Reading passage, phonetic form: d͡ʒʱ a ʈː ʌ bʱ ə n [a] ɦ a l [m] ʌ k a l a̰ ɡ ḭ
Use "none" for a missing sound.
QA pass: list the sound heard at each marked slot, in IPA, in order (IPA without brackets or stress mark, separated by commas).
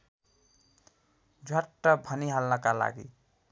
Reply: i, n